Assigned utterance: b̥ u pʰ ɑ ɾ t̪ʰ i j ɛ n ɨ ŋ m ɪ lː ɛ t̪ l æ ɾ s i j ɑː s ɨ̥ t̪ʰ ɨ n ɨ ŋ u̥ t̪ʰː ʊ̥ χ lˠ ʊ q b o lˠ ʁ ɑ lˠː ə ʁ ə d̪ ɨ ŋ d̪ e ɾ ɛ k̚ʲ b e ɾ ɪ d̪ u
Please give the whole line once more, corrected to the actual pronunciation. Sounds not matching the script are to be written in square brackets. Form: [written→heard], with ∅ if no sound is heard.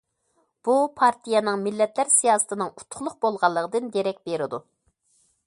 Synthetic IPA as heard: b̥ u pʰ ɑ ɾ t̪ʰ i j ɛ n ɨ ŋ m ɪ lː ɛ t̪ l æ ɾ s i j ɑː s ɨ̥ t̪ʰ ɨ n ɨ ŋ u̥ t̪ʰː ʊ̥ χ lˠ ʊ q b o lˠ ʁ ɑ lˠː ə ʁ ə d̪ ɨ [ŋ→n] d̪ e ɾ ɛ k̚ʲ b e ɾ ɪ d̪ u